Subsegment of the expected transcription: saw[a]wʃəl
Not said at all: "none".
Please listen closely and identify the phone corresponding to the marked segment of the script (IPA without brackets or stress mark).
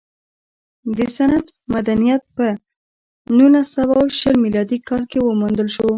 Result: a